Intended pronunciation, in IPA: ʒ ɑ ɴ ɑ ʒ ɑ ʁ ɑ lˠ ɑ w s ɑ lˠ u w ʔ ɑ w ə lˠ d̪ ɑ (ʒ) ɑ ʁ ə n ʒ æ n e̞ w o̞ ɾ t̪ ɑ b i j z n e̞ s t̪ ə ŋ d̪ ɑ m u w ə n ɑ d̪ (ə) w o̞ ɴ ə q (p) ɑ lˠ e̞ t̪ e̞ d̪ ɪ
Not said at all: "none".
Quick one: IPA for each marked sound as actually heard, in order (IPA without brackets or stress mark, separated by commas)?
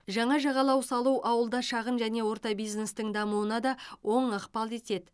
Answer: ʃ, ɑ, p